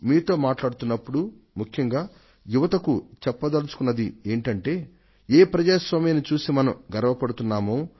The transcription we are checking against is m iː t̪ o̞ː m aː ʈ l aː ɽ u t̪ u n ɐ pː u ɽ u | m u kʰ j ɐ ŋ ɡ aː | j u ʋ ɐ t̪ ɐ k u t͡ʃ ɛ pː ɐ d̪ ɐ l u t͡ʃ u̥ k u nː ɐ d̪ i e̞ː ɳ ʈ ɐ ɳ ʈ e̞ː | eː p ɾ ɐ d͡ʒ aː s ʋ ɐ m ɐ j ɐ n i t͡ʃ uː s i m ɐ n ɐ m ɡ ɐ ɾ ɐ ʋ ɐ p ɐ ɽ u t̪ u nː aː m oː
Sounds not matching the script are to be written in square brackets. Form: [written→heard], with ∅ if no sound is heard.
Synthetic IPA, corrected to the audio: m iː t̪ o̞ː m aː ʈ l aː ɽ u t̪ u [n→nː] ɐ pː u ɽ u | m u kʰ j ɐ ŋ ɡ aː | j u ʋ ɐ t̪ ɐ k u t͡ʃ ɛ pː ɐ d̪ ɐ l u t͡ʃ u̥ k u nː ɐ d̪ i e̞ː ɳ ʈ ɐ ɳ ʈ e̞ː | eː p ɾ ɐ d͡ʒ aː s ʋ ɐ m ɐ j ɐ n i t͡ʃ uː s i m ɐ n ɐ m ɡ ɐ ɾ ɐ ʋ ɐ p ɐ ɽ u t̪ u nː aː m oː